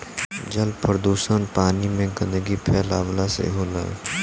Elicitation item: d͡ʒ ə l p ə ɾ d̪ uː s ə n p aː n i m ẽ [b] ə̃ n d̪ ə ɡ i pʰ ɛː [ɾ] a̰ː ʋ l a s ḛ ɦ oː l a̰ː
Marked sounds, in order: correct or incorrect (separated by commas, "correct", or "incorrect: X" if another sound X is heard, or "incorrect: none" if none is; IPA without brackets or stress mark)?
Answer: incorrect: ɡ, incorrect: l